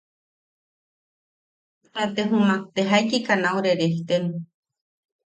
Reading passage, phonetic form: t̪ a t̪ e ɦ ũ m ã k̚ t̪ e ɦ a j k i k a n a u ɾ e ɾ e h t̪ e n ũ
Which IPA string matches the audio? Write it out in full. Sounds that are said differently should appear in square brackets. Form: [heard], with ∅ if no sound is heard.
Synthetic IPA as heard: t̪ a t̪ e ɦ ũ m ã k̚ t̪ e ɦ a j k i k a n a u ɾ e ɾ e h t̪ e n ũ